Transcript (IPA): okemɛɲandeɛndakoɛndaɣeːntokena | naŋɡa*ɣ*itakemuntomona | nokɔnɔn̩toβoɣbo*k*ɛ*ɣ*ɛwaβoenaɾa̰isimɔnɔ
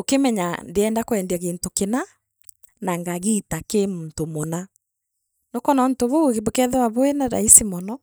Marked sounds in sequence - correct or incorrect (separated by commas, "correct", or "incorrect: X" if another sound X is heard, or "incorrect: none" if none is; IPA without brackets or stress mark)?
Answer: correct, correct, incorrect: ð